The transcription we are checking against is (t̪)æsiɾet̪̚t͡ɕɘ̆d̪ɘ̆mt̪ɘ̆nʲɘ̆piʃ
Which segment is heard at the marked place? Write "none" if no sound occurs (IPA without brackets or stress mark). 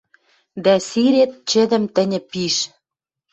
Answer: d̪